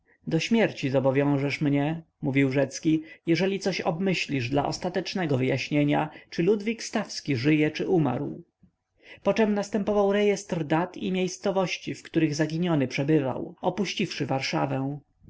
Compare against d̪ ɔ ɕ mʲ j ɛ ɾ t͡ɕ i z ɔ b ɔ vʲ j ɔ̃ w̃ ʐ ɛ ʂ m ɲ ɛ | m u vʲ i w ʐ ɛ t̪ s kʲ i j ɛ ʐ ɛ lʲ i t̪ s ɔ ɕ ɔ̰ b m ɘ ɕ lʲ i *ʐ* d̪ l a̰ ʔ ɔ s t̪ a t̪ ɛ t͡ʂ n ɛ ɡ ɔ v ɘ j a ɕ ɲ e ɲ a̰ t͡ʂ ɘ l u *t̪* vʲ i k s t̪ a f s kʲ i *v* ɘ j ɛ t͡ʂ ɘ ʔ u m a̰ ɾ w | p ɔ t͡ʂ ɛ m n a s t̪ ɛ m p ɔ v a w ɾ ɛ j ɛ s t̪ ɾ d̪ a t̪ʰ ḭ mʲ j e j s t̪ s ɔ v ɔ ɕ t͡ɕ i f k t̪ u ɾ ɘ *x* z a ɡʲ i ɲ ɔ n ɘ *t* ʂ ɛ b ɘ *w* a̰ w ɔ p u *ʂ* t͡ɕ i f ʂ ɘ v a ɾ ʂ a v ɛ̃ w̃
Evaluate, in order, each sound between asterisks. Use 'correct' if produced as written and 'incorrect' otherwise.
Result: correct, incorrect, incorrect, incorrect, incorrect, incorrect, incorrect

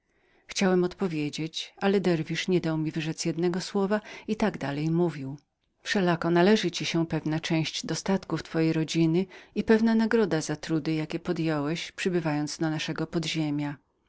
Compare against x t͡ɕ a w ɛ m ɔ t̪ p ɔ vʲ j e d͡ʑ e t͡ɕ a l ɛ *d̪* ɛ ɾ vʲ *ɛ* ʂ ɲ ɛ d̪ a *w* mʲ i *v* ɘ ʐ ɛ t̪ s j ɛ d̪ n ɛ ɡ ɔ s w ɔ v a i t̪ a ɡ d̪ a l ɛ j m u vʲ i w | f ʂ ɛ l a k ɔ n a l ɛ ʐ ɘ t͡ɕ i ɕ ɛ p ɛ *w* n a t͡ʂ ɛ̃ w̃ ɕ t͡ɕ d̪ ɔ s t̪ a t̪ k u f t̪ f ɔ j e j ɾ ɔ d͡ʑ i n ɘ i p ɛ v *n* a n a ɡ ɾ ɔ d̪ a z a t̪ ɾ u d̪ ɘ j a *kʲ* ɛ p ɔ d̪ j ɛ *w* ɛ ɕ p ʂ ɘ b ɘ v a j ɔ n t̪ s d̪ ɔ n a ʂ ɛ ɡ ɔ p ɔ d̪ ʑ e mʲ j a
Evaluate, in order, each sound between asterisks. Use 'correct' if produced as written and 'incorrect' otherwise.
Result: correct, incorrect, correct, correct, incorrect, correct, correct, correct

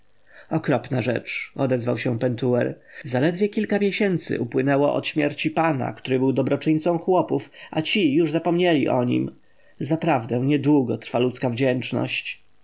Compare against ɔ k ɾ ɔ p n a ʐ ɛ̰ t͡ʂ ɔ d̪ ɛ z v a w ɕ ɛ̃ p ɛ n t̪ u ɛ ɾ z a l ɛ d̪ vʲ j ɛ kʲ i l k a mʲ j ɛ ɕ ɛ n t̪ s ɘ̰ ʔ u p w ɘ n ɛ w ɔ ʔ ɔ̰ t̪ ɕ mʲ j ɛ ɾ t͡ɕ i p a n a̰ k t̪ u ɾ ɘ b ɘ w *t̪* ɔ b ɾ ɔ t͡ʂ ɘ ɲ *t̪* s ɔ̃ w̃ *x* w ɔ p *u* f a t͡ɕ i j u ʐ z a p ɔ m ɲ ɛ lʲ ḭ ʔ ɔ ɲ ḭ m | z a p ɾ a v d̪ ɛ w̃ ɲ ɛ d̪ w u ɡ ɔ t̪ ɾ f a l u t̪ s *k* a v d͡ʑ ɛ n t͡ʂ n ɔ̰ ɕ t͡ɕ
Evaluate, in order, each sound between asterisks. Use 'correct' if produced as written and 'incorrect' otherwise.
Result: incorrect, correct, correct, correct, correct

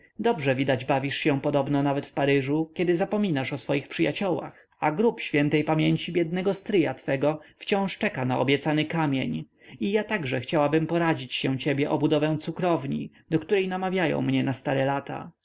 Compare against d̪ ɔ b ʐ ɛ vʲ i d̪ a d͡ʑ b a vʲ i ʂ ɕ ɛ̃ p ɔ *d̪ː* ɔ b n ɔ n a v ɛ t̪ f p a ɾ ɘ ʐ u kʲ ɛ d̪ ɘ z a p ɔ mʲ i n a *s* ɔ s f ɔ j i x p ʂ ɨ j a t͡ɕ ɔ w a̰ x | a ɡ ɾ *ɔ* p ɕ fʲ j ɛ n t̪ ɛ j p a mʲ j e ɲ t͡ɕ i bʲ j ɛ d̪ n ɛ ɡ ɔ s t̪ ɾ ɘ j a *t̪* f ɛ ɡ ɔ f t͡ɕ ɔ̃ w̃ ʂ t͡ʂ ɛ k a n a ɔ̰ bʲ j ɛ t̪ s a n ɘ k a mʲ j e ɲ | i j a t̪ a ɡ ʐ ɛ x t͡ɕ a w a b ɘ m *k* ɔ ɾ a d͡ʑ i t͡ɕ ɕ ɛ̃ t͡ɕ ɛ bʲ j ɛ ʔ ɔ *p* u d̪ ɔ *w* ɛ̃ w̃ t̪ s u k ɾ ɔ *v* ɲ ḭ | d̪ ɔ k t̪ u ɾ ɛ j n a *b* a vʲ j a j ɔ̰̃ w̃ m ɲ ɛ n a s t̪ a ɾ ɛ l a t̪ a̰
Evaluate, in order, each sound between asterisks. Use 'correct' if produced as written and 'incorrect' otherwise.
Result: incorrect, incorrect, incorrect, correct, incorrect, incorrect, incorrect, correct, incorrect

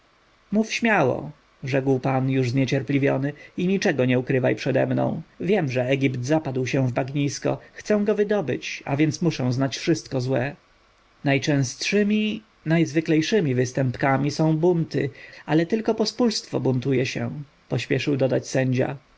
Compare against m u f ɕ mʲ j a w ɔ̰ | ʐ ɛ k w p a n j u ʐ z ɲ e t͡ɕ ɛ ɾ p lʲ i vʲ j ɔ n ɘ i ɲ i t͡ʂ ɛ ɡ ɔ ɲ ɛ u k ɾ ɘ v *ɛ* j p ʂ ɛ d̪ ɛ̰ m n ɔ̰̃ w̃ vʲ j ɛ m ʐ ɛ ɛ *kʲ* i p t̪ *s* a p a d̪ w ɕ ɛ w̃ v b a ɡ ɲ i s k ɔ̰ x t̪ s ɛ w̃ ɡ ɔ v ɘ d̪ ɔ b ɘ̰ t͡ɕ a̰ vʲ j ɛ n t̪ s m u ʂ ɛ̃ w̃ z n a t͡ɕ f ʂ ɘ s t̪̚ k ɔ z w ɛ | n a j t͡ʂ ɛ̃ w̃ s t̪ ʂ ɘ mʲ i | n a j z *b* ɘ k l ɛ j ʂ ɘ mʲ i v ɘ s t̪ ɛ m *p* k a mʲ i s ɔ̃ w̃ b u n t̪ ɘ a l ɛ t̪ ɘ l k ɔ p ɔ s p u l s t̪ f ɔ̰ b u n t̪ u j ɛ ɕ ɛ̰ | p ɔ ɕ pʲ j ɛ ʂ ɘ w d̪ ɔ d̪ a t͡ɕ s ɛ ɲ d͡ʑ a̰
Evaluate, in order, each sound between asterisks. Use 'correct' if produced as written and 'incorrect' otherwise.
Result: incorrect, incorrect, incorrect, incorrect, correct

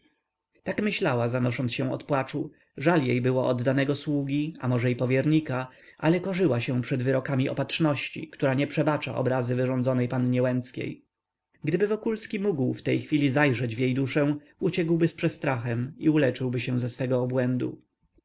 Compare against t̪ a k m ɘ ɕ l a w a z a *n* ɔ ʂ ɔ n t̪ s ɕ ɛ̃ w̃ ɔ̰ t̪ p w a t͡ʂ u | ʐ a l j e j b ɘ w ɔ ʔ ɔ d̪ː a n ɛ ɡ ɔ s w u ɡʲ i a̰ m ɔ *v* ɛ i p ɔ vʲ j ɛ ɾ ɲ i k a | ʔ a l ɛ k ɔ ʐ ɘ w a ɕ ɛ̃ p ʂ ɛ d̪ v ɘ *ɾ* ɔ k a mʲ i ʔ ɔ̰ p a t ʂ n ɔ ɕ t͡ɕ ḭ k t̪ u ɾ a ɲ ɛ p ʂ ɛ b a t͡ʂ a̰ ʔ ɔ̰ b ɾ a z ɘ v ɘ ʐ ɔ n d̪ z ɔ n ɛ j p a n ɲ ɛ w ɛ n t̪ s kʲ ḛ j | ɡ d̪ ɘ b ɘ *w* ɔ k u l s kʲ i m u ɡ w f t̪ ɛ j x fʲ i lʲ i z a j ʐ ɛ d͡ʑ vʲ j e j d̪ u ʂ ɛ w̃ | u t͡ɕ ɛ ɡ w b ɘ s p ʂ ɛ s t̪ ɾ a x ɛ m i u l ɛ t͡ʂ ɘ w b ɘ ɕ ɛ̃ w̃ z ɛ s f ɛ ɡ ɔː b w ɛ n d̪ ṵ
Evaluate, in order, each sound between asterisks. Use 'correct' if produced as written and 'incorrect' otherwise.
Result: correct, incorrect, correct, incorrect

